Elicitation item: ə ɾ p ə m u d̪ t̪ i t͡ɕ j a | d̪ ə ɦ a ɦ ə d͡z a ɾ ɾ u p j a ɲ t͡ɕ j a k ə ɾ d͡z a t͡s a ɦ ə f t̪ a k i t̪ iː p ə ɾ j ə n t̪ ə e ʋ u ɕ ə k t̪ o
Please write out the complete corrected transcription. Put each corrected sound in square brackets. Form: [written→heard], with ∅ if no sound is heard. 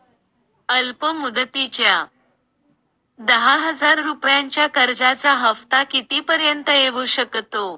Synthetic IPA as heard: ə [ɾ→l] p ə m u d̪ t̪ i t͡ɕ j a | d̪ ə ɦ a ɦ ə d͡z a ɾ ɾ u p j a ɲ t͡ɕ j a k ə ɾ d͡z a t͡s a ɦ ə f t̪ a k i t̪ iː p ə ɾ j ə n t̪ ə e ʋ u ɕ ə k t̪ o